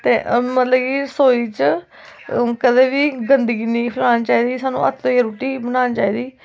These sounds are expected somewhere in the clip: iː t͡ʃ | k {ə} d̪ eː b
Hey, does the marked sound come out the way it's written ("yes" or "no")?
yes